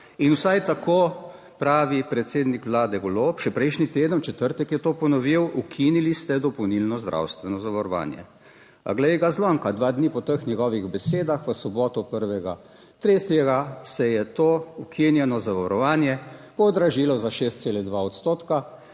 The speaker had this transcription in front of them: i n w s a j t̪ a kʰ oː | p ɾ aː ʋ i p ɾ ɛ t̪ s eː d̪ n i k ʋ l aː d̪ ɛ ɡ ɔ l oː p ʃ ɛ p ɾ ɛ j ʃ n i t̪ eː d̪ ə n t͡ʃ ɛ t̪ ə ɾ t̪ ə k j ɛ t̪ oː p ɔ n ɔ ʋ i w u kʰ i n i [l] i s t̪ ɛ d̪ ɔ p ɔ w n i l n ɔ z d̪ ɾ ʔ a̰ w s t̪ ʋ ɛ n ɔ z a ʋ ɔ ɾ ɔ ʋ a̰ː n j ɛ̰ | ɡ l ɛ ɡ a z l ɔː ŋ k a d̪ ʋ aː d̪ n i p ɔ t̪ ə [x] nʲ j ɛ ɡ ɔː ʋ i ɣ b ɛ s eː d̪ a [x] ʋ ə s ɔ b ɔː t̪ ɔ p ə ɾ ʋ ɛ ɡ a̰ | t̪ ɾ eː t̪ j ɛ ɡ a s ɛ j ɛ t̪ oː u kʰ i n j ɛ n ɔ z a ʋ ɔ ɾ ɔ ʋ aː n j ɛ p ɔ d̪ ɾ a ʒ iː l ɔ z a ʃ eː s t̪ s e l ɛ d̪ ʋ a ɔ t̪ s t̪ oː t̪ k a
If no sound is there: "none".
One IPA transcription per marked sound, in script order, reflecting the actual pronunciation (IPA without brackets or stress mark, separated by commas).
l, x, x